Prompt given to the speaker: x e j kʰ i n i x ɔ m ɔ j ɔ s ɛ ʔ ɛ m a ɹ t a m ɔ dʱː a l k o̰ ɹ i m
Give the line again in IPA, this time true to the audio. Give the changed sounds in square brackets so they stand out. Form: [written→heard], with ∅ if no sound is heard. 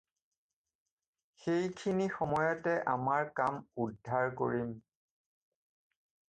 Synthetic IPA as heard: x e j kʰ i n i x ɔ m ɔ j ɔ [s→t] ɛ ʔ [ɛ→a] m a ɹ [t→k] a m [ɔ→u] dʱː a [l→ɹ] k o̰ ɹ i m